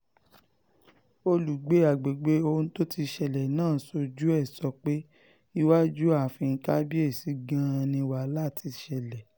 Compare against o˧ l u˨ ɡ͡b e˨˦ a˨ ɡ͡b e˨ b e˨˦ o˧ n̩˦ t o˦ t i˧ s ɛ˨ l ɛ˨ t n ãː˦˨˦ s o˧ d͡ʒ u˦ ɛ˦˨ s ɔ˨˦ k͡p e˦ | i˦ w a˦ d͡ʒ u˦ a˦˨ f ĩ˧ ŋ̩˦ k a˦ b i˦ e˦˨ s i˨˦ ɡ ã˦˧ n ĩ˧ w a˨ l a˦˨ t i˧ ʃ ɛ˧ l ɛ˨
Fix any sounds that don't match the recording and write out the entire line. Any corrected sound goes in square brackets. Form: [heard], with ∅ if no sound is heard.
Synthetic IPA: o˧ l u˨ ɡ͡b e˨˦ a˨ ɡ͡b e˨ [ɡ͡b] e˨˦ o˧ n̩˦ t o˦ t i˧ [ʃ] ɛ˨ l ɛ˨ [∅] n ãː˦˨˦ s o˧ d͡ʒ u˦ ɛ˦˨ s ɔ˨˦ k͡p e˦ | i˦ w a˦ d͡ʒ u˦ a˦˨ f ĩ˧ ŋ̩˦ k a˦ b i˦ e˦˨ s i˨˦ ɡ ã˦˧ n ĩ˧ w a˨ l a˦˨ t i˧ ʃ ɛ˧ l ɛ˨